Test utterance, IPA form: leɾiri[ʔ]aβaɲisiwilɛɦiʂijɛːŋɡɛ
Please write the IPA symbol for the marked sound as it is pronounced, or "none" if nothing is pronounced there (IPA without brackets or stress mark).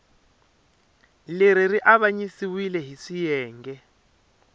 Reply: ʔ